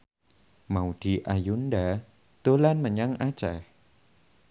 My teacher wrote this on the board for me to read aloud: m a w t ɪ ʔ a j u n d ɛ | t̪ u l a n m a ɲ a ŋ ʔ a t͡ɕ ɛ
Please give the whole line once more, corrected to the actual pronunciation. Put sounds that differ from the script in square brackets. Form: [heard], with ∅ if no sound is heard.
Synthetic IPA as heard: m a w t [i] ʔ a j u n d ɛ | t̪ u l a n m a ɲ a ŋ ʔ a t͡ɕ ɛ